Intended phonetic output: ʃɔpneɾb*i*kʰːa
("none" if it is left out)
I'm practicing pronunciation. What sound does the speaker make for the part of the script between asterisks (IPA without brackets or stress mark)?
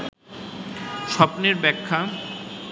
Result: ɛ